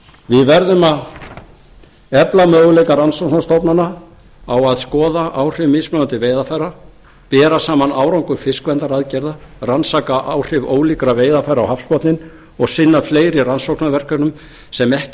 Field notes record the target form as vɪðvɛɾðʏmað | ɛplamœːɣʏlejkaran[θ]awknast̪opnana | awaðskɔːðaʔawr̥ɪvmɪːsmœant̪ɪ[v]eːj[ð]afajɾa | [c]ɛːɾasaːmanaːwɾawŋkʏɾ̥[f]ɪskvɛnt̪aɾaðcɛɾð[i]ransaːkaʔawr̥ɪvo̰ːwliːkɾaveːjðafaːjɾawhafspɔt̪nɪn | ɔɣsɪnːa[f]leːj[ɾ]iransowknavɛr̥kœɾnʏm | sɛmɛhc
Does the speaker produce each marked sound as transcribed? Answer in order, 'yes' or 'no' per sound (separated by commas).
no, yes, yes, no, yes, no, yes, yes